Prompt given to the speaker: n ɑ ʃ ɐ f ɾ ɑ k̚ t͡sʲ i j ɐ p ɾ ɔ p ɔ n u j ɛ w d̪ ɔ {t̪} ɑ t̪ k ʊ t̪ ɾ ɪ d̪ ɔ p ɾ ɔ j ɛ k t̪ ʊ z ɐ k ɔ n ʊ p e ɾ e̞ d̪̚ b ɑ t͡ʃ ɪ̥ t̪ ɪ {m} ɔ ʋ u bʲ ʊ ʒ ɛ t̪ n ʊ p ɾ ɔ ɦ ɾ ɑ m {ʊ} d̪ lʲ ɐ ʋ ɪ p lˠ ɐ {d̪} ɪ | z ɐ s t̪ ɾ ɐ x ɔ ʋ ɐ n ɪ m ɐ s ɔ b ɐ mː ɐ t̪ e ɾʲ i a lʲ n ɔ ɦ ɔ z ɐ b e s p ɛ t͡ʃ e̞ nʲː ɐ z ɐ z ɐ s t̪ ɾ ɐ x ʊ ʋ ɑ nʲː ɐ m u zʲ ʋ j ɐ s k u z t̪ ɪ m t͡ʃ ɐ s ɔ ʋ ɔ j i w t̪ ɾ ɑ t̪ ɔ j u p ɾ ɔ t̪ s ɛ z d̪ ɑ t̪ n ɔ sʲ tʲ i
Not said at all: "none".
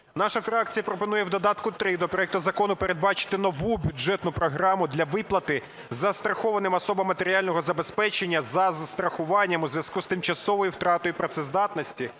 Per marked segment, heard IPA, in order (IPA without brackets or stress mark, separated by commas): d̪, n, ʊ, t̪